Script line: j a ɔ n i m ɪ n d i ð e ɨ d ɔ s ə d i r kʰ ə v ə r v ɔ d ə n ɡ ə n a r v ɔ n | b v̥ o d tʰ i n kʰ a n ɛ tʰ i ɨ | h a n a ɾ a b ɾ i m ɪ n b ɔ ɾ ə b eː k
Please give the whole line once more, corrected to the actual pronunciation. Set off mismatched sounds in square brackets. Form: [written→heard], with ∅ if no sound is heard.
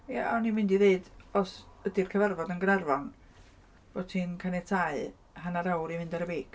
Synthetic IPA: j a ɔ n i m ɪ n d i ð e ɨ d ɔ s ə d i r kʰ ə v [ə→a] r v ɔ d ə n ɡ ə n a r v ɔ n | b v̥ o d tʰ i n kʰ a n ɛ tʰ [i→a] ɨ | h a n a ɾ a [b→w] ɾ i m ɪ n [b→d] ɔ ɾ ə b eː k